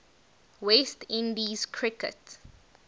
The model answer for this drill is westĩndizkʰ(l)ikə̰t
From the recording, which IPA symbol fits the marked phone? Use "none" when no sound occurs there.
ɹ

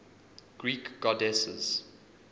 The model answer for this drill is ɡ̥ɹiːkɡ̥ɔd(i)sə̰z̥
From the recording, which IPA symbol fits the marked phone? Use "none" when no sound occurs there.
ɛ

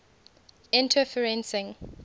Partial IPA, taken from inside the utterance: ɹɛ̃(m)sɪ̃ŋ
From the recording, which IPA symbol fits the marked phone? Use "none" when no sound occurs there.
n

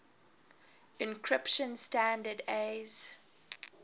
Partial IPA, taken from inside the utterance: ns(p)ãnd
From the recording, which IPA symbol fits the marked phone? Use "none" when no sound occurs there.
t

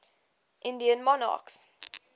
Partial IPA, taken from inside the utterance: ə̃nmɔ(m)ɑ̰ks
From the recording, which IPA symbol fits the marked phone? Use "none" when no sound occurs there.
n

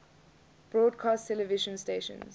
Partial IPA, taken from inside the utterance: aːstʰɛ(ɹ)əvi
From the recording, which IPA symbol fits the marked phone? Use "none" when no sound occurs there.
l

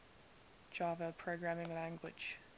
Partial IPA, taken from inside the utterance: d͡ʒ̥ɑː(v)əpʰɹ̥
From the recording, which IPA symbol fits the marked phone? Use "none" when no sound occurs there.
v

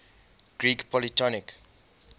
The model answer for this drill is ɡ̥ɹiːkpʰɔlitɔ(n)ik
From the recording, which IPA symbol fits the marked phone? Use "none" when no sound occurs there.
n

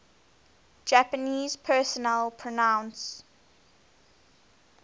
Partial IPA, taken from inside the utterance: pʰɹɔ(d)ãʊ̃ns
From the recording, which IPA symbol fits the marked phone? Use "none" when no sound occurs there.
n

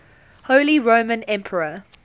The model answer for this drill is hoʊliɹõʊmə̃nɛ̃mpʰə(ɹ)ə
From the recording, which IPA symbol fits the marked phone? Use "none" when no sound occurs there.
ɹ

